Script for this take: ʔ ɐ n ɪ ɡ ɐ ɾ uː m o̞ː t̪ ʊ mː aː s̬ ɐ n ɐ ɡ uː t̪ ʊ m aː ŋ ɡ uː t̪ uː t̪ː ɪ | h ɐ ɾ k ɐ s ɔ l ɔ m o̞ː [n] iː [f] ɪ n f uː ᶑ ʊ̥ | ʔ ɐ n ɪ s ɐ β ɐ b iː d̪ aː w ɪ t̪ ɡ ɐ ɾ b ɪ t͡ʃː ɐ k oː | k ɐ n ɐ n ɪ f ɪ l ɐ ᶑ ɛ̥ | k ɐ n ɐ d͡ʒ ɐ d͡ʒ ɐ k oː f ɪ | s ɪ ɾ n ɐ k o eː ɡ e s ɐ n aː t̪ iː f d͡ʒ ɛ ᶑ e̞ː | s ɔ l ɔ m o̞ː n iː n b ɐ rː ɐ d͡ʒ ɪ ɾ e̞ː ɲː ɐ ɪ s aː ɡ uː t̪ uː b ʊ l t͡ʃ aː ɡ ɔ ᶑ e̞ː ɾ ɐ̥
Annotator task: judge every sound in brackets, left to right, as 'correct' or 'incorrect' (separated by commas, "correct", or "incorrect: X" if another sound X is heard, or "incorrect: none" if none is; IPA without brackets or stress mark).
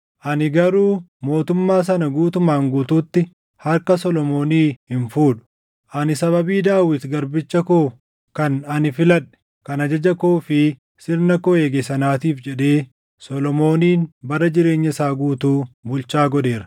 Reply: correct, incorrect: h